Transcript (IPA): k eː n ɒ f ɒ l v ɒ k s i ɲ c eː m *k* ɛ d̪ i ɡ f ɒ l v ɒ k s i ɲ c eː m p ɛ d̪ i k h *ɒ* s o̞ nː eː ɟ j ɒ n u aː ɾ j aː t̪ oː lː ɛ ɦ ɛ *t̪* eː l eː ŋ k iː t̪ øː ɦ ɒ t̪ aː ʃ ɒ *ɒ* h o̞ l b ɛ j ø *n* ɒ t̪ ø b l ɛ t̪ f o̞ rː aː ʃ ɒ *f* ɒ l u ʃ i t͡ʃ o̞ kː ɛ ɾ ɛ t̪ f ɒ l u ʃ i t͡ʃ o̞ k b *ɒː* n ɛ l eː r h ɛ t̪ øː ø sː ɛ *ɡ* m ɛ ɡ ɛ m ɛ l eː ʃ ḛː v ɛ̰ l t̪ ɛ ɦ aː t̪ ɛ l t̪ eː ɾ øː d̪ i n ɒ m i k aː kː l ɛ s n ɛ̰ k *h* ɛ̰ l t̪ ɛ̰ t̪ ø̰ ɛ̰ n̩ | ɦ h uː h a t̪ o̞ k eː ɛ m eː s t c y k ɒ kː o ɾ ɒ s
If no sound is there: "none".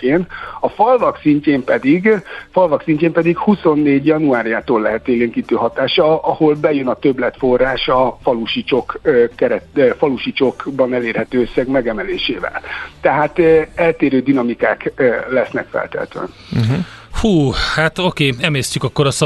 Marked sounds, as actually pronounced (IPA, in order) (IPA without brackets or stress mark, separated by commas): p, u, t̪, ɒ, n, f, ɒ, ɡ, f